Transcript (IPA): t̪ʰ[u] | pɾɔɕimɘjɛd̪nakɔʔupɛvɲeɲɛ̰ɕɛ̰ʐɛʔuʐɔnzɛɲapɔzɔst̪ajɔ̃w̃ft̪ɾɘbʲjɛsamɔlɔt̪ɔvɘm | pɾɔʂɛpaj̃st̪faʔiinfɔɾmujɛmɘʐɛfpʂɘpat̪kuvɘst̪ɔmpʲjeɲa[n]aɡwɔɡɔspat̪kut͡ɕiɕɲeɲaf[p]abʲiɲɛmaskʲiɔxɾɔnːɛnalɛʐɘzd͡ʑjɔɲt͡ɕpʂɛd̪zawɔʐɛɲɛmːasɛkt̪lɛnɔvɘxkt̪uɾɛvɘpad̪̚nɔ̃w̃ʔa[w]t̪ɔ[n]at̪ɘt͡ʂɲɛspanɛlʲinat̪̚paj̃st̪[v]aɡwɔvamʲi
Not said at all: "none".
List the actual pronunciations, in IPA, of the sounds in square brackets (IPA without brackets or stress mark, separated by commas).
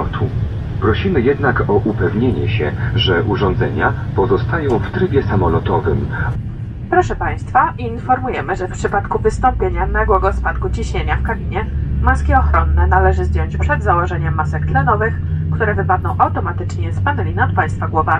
u, n, k, w, m, f